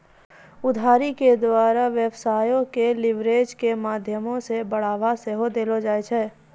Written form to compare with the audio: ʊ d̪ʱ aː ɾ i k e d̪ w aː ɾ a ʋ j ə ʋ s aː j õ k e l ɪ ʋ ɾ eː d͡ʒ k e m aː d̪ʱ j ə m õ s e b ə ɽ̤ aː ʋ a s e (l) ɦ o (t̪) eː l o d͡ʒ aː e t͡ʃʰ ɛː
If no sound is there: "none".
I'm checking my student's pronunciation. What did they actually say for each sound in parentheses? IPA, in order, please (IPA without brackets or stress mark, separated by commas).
none, d̪